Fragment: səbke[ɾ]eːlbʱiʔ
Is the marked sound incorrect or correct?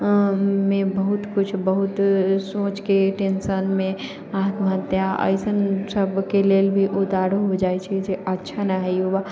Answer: incorrect